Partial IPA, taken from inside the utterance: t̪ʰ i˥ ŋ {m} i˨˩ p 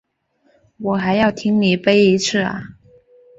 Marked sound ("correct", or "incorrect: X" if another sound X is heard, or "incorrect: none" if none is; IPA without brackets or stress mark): incorrect: n